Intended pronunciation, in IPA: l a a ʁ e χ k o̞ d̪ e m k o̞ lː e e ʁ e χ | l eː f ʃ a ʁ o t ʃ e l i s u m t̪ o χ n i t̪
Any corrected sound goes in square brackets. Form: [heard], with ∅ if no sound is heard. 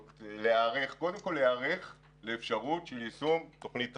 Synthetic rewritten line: l [e] a ʁ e χ k o̞ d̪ e m k o̞ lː e [a] ʁ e χ | l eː f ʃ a ʁ [u] t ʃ e l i s u m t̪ o χ n i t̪